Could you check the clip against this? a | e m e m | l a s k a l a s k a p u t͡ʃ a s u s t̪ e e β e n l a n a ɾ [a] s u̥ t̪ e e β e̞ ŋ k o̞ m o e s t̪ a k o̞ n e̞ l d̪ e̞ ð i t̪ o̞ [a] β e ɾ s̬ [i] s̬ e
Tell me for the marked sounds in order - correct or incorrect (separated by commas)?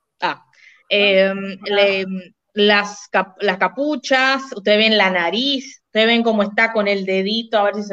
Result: incorrect, correct, correct